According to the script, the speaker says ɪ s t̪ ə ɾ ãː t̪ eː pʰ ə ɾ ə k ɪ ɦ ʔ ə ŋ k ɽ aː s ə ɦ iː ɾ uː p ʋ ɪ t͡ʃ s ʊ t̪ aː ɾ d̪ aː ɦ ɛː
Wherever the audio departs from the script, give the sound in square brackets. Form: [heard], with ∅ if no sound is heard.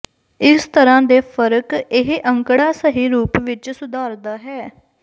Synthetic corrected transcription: ɪ s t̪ ə ɾ ãː [d̪] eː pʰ ə ɾ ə k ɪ ɦ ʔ ə ŋ k ɽ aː s ə ɦ iː ɾ uː p ʋ ɪ t͡ʃ s ʊ [d̪] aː ɾ d̪ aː ɦ ɛː